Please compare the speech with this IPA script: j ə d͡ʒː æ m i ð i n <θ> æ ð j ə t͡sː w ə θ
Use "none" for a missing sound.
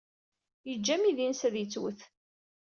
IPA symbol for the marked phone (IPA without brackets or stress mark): s